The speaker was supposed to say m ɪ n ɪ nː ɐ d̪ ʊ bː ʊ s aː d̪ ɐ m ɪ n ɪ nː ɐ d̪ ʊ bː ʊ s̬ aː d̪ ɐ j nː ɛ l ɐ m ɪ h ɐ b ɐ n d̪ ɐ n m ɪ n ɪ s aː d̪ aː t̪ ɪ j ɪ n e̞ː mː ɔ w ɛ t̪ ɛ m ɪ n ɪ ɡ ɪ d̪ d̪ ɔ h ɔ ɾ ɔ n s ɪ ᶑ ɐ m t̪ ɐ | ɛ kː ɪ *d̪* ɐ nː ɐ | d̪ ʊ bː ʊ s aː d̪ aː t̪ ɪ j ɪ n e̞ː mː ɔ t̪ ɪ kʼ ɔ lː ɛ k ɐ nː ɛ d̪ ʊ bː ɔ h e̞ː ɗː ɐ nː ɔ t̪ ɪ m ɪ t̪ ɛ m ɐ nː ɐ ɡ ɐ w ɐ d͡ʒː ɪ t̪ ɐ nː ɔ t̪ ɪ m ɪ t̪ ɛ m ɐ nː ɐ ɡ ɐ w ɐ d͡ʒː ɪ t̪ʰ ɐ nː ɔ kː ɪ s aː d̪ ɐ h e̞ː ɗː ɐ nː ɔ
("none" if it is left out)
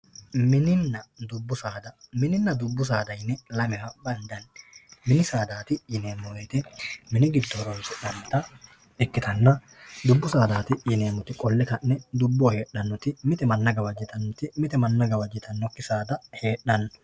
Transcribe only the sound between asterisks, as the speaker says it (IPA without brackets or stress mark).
t̪